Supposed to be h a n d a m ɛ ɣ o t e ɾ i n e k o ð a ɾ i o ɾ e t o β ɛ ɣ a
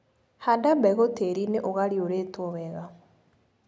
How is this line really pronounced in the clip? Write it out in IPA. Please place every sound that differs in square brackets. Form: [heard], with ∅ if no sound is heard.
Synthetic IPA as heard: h a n d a [b] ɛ ɣ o t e ɾ i n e [ʔ] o [ɣ] a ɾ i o ɾ e t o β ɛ ɣ a